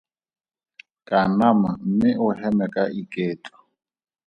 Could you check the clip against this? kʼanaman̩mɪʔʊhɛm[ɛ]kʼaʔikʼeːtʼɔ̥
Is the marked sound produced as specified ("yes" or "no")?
yes